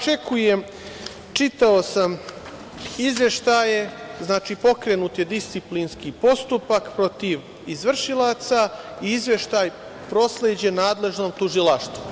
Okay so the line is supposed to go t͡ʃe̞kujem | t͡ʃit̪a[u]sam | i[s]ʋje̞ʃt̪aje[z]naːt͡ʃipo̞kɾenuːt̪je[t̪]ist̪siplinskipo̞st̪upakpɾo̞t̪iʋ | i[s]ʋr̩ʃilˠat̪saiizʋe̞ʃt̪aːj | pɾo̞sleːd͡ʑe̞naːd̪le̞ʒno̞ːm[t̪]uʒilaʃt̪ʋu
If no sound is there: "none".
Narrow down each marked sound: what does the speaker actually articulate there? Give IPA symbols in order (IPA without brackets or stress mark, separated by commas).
o, z, z, d̪, z, t̪